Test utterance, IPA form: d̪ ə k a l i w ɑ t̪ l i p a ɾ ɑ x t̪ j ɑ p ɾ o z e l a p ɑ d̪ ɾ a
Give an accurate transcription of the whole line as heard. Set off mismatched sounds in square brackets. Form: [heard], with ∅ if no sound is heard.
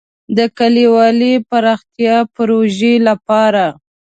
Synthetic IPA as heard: d̪ ə k a l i w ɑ [∅] l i p a ɾ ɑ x t̪ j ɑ p ɾ o [ʒ] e l a p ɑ [∅] ɾ a

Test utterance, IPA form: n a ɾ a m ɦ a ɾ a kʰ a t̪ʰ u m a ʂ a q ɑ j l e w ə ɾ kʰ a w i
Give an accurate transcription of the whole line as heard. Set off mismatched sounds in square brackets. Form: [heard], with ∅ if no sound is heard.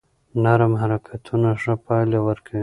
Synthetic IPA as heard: n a ɾ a m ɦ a ɾ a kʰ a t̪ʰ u [n] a ʂ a [p] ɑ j l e w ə ɾ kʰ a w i

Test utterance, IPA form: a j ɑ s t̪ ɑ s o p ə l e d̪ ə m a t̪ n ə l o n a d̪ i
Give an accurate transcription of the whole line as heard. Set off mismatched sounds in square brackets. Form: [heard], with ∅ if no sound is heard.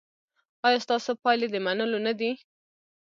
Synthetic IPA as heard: [ɑ] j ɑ s t̪ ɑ s o p [ɑ] l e d̪ ə m a [∅] n ə l o n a d̪ i

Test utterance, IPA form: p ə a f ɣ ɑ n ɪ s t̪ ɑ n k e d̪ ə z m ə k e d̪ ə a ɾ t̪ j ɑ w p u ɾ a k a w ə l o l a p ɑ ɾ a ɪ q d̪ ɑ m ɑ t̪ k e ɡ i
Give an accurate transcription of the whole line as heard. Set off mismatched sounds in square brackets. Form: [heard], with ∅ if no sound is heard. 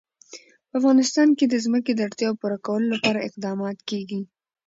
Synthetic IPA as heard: p ə a f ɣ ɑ n ɪ s t̪ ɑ n k e d̪ ə z m ə k e d̪ ə a [ɽ] t̪ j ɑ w p u ɾ a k a w ə l o l a p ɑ ɾ a ɪ q d̪ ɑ m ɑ t̪ k e ɡ i

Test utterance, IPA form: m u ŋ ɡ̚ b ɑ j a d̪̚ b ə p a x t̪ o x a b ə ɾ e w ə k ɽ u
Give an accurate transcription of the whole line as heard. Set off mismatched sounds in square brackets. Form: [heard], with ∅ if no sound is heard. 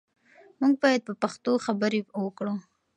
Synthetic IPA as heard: m u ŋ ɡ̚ b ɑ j a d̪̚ [p] ə p a x t̪ o x a b ə ɾ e w ə k ɽ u

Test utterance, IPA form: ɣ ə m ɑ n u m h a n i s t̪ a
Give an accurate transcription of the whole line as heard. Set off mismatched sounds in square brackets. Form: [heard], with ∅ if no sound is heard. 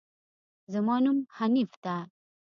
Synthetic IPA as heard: [z] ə m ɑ n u m h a n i [f] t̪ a

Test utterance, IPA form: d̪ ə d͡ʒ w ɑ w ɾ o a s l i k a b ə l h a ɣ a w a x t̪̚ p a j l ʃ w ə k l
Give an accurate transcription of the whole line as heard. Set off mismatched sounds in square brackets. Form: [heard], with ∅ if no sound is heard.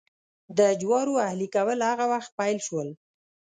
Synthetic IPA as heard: d̪ ə d͡ʒ w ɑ [∅] ɾ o a [h] l i k a [w] ə l h a ɣ a w a x t̪̚ p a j l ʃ w ə [∅] l

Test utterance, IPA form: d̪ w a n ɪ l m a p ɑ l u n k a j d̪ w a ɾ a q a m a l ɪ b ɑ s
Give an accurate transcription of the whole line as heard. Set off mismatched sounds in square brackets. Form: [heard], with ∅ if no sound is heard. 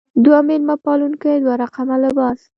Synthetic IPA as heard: d̪ w a [m] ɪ l m a p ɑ l u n k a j d̪ w a ɾ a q a m a l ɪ b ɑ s

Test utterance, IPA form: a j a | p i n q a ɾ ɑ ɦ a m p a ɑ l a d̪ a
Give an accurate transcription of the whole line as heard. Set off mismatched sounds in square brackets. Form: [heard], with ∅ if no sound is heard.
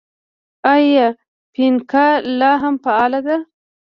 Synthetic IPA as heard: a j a | p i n [k] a [l] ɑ ɦ a m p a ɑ l a d̪ a

